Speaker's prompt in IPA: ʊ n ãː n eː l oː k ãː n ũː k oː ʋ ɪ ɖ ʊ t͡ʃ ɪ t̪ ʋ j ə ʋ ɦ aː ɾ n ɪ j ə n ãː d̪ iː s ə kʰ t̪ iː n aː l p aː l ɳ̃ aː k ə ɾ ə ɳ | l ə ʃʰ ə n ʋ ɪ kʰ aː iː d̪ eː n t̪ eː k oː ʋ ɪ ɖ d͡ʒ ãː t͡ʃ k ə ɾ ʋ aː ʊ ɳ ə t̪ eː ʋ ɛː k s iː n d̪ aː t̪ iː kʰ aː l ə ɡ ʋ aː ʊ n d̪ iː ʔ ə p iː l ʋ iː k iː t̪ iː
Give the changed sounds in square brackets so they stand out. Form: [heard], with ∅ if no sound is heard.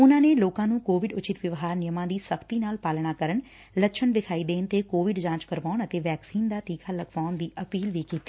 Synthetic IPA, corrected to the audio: ʊ n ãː n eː l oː k ãː n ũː k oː ʋ ɪ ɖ ʊ t͡ʃ ɪ t̪ ʋ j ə ʋ ɦ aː ɾ n ɪ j ə [m] ãː d̪ iː s ə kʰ t̪ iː n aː l p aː l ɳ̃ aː k ə ɾ ə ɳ | l ə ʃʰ ə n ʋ ɪ kʰ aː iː d̪ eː n t̪ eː k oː ʋ ɪ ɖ d͡ʒ ãː t͡ʃ k ə ɾ ʋ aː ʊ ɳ ə t̪ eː ʋ ɛː k s iː n d̪ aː t̪ iː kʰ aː l ə ɡ ʋ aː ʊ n d̪ iː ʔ ə p iː l ʋ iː k iː t̪ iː